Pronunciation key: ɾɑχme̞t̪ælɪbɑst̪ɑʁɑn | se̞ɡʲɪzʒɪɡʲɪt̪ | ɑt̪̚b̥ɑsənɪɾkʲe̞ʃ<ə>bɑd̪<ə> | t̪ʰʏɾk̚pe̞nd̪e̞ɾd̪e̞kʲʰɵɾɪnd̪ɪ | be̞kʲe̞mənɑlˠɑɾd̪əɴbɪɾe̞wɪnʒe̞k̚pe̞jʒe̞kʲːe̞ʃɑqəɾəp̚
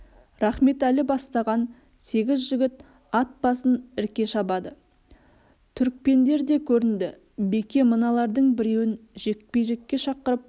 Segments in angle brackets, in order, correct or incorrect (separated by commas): incorrect, correct